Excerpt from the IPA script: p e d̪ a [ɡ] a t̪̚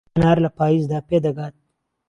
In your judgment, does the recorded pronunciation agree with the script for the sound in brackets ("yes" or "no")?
yes